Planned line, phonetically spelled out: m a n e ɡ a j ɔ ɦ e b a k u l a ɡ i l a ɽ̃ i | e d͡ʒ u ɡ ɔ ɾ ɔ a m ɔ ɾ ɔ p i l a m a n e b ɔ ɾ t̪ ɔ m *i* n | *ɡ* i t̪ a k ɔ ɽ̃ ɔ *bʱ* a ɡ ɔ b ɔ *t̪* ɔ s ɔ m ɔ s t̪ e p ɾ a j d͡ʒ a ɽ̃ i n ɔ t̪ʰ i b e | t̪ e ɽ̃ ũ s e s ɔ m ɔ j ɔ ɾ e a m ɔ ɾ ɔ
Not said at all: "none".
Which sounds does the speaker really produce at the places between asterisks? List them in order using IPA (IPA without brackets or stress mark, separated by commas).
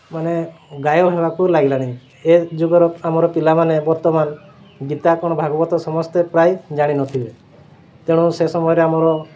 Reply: a, ɡ, bʱ, t̪